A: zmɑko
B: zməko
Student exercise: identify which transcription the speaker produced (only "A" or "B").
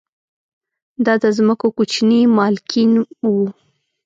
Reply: B